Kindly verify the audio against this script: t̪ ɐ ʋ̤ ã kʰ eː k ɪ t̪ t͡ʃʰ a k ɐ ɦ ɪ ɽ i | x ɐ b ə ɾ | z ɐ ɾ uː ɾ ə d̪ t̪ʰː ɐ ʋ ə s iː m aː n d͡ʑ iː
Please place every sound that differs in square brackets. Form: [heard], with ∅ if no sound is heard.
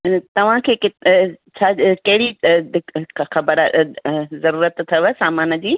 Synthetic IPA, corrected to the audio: t̪ ɐ ʋ̤ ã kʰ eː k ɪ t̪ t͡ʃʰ a k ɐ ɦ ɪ ɽ i | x ɐ b ə ɾ | z ɐ ɾ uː ɾ ə [t̪] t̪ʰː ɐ ʋ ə s [aː] m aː n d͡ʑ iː